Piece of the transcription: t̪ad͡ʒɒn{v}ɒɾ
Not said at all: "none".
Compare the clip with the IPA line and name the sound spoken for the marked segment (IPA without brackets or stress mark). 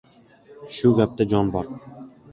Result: b